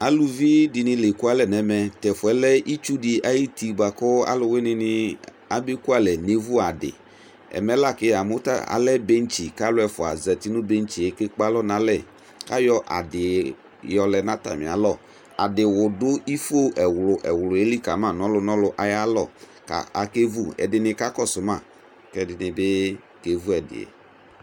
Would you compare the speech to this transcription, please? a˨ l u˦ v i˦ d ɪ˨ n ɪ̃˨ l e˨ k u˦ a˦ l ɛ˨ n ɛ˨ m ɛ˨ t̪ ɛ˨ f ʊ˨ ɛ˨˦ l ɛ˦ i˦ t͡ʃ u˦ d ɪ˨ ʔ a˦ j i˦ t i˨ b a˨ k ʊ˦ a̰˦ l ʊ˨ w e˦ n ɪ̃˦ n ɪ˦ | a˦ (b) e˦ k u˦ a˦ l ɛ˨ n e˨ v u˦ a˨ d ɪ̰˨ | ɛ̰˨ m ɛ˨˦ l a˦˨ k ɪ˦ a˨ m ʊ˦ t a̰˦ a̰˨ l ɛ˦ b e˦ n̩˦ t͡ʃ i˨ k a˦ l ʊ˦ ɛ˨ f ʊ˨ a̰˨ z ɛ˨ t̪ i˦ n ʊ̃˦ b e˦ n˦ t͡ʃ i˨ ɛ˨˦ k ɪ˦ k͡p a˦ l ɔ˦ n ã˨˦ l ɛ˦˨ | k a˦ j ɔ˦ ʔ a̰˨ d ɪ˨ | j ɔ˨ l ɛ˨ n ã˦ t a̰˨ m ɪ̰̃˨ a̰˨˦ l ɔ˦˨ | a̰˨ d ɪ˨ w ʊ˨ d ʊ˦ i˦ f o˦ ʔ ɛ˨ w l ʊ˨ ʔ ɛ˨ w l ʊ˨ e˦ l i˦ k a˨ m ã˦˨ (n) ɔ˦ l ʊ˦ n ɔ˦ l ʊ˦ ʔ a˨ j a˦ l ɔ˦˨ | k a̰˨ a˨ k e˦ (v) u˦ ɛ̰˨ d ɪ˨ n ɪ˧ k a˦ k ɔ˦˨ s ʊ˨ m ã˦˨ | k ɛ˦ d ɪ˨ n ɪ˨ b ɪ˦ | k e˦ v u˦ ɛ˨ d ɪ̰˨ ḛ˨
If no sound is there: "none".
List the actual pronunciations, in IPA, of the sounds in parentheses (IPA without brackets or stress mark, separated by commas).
b, n, v